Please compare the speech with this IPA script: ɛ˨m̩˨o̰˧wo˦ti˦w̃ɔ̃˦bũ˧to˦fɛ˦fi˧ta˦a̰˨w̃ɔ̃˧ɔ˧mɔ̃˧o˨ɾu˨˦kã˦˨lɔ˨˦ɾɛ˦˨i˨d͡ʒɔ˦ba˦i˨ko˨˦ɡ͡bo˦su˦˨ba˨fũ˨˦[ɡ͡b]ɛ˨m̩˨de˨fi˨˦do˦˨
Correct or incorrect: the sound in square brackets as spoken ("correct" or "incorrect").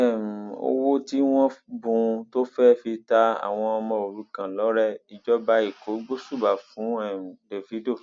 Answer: incorrect